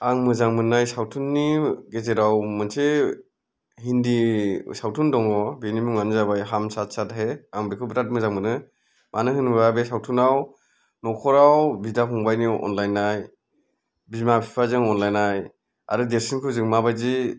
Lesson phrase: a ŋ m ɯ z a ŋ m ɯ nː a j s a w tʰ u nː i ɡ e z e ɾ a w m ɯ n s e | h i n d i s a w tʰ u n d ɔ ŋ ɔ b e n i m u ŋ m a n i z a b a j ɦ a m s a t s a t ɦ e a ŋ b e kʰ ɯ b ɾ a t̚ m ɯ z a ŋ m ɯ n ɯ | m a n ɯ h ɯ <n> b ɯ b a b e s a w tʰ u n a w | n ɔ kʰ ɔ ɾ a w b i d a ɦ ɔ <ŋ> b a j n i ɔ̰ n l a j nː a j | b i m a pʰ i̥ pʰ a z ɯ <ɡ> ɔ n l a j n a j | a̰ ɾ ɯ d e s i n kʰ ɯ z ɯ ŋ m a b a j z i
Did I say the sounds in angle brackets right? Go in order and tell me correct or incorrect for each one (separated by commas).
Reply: correct, correct, incorrect